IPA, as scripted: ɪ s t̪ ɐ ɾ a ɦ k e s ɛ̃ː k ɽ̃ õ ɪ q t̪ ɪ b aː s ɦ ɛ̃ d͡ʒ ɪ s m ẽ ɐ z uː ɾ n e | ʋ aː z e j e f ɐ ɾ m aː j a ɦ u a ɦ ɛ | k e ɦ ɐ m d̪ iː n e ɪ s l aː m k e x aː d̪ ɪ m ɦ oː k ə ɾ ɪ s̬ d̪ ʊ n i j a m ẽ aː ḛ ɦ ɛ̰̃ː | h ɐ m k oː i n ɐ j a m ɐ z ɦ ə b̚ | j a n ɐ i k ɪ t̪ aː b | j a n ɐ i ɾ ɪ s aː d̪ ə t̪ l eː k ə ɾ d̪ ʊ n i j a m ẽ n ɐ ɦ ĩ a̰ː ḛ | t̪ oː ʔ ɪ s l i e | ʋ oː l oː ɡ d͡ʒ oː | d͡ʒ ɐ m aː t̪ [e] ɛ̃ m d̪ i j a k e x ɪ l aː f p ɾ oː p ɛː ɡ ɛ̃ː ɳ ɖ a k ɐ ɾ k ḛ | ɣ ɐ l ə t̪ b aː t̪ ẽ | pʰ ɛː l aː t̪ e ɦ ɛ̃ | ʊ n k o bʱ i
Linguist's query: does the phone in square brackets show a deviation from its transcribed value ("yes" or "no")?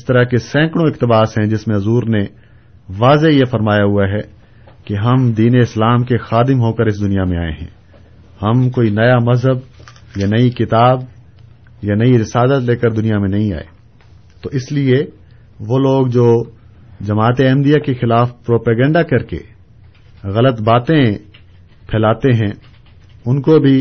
no